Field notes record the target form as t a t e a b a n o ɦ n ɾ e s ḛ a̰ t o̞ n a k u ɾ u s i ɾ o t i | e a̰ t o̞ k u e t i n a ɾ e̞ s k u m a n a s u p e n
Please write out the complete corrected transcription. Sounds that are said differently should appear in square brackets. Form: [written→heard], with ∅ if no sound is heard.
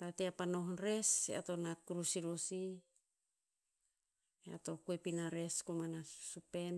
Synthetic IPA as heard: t a t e a [b→p] a n o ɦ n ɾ e s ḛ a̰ t o̞ n a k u ɾ u s i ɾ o [t→s] i | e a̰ t o̞ k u e [t→p] i n a ɾ e̞ s k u m a n a s u p e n